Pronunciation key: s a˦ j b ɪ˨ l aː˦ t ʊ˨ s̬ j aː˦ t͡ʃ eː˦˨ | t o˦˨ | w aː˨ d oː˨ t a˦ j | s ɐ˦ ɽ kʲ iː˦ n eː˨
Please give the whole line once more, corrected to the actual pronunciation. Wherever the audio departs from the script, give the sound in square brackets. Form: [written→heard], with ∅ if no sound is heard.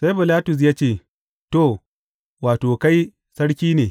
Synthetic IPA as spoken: s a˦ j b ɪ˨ l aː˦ t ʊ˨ s̬ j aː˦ t͡ʃ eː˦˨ | t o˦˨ | w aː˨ [d→t] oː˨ [t→k] a˦ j | s ɐ˦ ɽ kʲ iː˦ n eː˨